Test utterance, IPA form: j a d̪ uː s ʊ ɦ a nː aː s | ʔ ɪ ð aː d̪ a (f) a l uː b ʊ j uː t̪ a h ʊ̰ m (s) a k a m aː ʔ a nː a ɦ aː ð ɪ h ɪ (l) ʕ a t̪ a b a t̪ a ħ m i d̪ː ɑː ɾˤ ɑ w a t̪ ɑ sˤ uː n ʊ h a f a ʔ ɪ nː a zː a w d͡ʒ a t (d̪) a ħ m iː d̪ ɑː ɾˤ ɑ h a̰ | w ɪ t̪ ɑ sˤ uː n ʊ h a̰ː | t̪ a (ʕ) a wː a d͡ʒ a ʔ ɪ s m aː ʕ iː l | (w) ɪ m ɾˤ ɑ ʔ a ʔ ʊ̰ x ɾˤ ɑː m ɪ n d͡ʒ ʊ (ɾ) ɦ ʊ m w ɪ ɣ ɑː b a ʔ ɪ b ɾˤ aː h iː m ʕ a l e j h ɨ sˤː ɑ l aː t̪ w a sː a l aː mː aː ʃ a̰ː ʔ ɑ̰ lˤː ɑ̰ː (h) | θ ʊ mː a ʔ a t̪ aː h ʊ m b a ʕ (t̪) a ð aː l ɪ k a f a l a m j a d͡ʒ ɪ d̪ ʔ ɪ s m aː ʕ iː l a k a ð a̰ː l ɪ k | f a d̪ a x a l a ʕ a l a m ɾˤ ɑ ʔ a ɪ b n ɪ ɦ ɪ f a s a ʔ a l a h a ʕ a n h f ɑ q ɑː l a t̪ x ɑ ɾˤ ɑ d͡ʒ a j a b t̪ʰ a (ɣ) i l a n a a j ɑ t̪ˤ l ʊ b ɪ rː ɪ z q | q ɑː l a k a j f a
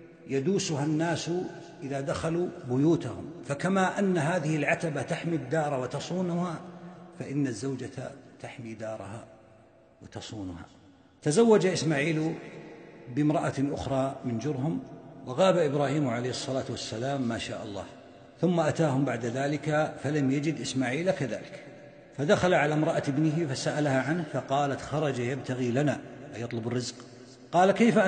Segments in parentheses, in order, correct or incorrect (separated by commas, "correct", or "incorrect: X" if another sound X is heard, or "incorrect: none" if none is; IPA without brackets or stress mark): incorrect: x, incorrect: f, correct, incorrect: t̪, incorrect: z, incorrect: b, correct, correct, incorrect: d̪, correct